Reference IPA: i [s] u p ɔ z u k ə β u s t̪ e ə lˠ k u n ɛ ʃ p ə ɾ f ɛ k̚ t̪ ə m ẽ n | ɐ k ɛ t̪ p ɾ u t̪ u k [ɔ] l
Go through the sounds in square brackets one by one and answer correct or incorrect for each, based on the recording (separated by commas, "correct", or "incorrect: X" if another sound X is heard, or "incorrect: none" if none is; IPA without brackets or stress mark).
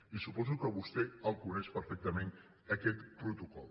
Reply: correct, correct